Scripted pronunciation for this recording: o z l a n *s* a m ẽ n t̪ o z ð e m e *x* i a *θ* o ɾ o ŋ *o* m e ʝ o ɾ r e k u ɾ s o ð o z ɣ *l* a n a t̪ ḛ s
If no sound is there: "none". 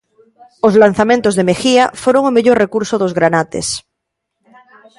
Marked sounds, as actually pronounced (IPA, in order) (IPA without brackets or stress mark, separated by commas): θ, x, f, o, ɾ